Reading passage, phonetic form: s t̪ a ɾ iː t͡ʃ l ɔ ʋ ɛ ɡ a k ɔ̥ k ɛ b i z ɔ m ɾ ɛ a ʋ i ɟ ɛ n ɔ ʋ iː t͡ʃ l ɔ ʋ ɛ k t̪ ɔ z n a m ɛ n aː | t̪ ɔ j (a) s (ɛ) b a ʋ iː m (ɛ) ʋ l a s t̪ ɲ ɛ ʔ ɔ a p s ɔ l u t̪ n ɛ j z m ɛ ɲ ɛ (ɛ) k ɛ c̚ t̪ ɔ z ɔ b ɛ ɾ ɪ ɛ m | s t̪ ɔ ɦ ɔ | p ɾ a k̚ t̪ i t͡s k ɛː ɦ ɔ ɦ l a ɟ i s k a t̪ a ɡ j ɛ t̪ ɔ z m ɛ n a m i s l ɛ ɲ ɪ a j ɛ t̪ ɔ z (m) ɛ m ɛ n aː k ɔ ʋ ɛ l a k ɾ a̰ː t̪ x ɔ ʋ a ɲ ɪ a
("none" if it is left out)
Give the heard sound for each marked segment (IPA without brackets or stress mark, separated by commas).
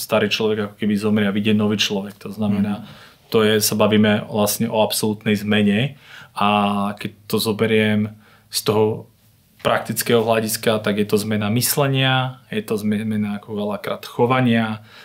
ɛ, a, ɛ, a, m